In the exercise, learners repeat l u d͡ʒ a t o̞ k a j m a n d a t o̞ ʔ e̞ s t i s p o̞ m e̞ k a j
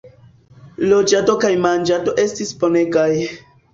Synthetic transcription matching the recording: l o d͡ʒ a t o̞ k a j m a n d͡ʒ a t o̞ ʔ e̞ s t i s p o̞ n e̞ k a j